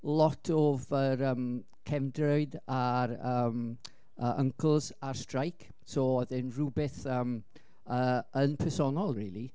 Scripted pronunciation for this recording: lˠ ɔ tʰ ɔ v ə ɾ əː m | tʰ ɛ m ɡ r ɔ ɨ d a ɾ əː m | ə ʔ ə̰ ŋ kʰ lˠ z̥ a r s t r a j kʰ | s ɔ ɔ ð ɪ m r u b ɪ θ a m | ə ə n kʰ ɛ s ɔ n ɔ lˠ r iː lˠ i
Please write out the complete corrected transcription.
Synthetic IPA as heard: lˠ ɔ tʰ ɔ v ə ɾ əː m | kʰ ɛ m d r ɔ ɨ d a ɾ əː m | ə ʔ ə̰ ŋ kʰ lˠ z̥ a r s t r a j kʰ | s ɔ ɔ ð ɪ n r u b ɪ θ ə m | ə ə n pʰ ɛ s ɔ n ɔ lˠ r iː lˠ i

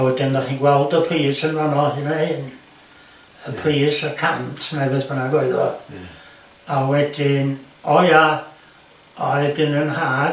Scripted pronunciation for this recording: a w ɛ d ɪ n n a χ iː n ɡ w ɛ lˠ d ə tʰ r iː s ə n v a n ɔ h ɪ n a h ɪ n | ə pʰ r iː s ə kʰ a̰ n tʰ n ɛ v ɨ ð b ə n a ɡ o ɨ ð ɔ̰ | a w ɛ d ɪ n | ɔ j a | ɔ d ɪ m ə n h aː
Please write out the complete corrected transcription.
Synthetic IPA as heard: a w ɛ d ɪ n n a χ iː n ɡ w ɛ lˠ d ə pʰ r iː s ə n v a n ɔ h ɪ n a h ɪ n | ə pʰ r iː s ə kʰ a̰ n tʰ n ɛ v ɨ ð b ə n a ɡ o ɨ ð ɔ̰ | a w ɛ d ɪ n | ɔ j a | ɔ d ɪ n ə n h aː

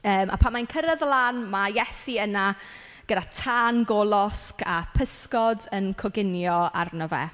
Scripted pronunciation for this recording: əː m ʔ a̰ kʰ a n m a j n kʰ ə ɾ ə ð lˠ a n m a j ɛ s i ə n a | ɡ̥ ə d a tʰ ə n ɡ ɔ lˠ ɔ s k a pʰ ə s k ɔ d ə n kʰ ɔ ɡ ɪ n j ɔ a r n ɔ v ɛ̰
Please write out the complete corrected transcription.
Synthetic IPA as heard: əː m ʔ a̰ pʰ a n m a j n kʰ ə ɾ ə ð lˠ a n m a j ɛ s i ə n a | ɡ̥ ə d a tʰ a n ɡ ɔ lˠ ɔ s k a pʰ ə s k ɔ d ə n kʰ ɔ ɡ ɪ n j ɔ a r n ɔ v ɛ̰

